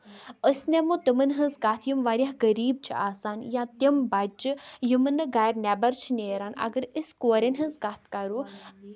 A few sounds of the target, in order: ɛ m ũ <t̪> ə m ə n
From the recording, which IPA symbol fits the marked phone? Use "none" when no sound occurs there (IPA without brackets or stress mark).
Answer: t̪